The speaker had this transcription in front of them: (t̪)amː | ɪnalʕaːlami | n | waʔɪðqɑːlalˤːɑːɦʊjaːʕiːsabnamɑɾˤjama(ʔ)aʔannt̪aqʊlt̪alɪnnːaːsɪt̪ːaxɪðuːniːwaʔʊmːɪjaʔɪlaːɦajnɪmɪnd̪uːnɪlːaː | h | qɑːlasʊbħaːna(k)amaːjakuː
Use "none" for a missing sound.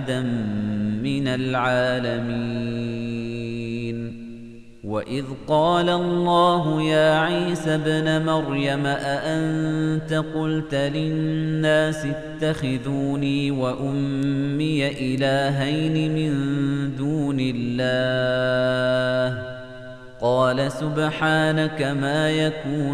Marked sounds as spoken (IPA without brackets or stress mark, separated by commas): d̪, ʔ, k